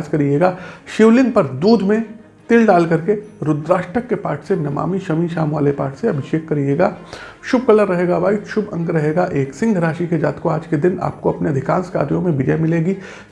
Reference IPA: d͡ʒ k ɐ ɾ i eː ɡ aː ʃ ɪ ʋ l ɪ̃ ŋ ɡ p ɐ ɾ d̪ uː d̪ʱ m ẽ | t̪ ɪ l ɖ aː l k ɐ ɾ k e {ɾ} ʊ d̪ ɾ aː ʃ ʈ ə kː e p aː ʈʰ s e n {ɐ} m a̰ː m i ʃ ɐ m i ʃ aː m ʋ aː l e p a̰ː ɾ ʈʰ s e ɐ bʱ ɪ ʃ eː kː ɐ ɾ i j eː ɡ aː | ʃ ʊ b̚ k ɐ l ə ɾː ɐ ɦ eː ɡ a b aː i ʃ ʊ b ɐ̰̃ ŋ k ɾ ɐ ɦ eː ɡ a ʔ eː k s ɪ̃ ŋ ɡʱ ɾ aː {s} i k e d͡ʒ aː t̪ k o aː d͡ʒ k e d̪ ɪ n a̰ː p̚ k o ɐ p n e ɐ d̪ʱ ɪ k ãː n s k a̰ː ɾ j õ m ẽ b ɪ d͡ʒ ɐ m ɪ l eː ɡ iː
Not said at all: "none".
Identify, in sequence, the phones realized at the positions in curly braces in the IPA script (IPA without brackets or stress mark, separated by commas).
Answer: ɾ, ɐ, ʃ